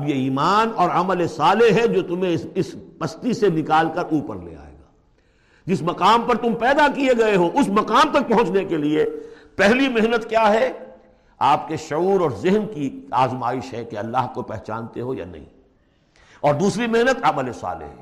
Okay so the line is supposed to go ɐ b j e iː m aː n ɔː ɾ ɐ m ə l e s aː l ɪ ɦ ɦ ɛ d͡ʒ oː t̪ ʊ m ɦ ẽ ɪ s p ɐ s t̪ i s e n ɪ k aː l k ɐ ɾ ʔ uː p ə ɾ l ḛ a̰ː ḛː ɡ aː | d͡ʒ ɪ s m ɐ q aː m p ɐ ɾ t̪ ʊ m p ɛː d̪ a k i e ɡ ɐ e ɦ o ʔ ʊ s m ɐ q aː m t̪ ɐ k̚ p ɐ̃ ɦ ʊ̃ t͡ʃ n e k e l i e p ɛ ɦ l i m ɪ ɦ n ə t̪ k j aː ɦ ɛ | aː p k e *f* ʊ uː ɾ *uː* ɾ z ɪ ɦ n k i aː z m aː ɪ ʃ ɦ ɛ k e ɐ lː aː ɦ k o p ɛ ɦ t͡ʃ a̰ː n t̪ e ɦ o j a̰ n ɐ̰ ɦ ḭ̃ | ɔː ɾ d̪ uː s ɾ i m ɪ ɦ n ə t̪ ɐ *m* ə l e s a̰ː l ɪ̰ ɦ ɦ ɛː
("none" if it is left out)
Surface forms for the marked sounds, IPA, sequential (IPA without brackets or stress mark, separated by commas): ʃ, ɔː, m